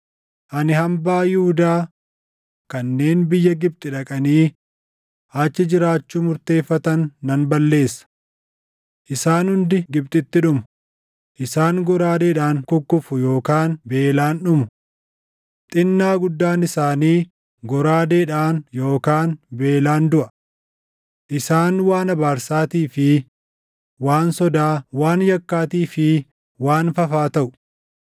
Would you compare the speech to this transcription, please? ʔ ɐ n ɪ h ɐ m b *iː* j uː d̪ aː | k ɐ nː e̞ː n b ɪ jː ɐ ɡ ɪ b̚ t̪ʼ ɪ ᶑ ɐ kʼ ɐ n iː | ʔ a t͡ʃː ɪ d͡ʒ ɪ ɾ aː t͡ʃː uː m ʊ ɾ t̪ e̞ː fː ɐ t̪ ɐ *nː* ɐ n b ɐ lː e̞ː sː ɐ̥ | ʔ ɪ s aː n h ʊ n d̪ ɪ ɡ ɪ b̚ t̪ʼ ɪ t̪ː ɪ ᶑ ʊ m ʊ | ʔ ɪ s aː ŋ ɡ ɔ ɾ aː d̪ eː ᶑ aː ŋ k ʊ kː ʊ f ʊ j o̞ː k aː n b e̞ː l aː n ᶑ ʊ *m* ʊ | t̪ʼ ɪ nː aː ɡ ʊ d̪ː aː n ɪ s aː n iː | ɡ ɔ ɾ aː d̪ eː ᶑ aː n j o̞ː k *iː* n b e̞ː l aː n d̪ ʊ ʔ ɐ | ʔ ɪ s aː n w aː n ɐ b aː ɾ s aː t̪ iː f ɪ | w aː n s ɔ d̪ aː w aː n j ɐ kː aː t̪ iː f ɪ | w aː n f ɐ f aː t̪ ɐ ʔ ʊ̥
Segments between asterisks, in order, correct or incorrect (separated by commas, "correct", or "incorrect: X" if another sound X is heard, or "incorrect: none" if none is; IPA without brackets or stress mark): incorrect: aː, correct, correct, incorrect: aː